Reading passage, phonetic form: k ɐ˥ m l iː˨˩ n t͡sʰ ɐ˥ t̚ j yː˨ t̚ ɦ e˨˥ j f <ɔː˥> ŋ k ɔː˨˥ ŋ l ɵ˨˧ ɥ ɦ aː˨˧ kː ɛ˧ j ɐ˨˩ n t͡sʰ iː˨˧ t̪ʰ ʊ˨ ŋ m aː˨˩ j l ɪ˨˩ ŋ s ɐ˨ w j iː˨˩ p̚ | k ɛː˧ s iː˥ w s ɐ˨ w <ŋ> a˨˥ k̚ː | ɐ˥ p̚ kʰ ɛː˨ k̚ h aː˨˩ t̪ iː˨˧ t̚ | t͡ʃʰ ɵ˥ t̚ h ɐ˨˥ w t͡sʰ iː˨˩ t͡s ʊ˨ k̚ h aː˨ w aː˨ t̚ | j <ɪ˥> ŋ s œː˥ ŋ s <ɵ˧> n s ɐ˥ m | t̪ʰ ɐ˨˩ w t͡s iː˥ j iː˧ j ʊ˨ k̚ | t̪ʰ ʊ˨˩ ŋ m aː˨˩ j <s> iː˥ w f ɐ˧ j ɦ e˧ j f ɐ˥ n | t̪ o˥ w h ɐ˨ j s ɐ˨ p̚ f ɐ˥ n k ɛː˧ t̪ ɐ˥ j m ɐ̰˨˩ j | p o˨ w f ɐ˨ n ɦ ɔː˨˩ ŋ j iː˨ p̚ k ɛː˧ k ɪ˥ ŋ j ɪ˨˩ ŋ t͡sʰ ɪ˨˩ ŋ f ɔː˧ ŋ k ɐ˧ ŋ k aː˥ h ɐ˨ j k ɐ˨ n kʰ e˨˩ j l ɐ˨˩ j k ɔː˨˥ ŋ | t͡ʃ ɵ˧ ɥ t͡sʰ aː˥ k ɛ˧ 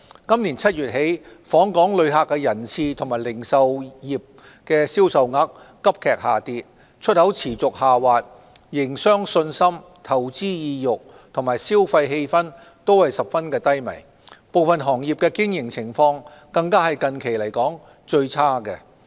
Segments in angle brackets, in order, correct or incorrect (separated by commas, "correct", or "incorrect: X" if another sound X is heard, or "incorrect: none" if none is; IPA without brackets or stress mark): incorrect: ɔː˨˥, correct, incorrect: ɪ˨˩, correct, correct